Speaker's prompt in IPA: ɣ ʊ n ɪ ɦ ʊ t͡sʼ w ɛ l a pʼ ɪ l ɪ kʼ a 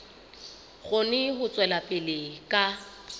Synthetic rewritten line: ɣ ʊ n ɪ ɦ ʊ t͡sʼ w ɛ l a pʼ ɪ l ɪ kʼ a